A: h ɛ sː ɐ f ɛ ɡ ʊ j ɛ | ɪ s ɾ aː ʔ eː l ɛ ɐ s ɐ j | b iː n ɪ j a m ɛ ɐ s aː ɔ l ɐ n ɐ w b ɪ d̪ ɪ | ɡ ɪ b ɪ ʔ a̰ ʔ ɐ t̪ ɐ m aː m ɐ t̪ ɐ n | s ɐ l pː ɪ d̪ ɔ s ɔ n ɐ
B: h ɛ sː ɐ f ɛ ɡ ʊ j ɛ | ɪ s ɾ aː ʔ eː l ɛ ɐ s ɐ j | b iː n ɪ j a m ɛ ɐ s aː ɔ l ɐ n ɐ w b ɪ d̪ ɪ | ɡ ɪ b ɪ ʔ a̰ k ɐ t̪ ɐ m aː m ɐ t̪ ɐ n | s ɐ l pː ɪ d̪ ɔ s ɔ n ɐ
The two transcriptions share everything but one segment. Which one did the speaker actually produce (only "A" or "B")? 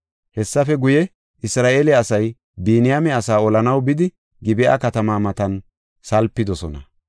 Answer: B